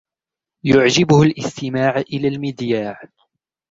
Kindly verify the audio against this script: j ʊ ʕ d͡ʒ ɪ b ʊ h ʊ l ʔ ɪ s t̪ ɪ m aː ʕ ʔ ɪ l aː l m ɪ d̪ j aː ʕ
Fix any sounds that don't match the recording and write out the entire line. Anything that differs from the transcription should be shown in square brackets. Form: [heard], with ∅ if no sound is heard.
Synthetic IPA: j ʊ ʕ d͡ʒ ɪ b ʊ h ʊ l ʔ ɪ s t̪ ɪ m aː ʕ ʔ ɪ l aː l m ɪ d̪ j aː ʕ